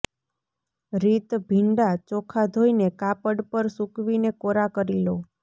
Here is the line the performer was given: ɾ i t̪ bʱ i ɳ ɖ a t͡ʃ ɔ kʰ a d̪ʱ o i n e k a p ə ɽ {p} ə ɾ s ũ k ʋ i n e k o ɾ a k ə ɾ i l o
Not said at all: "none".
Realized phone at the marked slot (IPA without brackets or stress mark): p